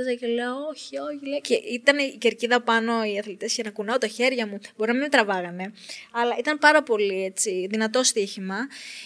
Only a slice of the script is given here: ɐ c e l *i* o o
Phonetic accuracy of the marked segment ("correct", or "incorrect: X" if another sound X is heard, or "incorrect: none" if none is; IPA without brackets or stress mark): incorrect: e